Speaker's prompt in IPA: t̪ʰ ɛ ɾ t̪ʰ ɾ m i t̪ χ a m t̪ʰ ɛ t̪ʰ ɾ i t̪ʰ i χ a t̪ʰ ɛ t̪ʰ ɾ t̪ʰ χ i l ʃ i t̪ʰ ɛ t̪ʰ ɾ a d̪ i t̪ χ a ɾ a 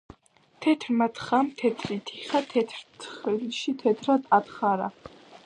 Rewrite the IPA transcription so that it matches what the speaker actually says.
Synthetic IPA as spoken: t̪ʰ ɛ t̪ʰ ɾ m a t̪ χ a m t̪ʰ ɛ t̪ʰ ɾ i t̪ʰ i χ a t̪ʰ ɛ t̪ʰ ɾ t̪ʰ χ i l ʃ i t̪ʰ ɛ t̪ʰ ɾ a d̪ a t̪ χ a ɾ a